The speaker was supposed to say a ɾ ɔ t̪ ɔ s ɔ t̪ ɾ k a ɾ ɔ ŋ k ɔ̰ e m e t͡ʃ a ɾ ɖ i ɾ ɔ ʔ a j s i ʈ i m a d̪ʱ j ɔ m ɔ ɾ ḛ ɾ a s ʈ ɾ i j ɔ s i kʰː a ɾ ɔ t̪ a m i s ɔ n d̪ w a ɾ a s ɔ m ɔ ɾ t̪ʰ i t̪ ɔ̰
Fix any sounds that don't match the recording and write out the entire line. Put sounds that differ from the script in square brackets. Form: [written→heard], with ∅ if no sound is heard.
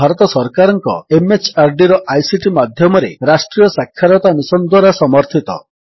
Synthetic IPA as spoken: a ɾ ɔ t̪ ɔ s ɔ [t̪→∅] ɾ k a ɾ ɔ ŋ k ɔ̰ e m e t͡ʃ a ɾ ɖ i ɾ ɔ ʔ a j s i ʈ i m a d̪ʱ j ɔ m ɔ ɾ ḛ ɾ a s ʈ ɾ i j ɔ s [i→a] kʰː a ɾ ɔ t̪ a m i s ɔ n d̪ w a ɾ a s ɔ m ɔ ɾ t̪ʰ i t̪ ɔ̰